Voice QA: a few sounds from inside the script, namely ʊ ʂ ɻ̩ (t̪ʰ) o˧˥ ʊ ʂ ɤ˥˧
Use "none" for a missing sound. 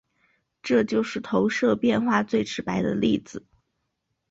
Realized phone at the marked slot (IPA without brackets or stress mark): t̪ʰ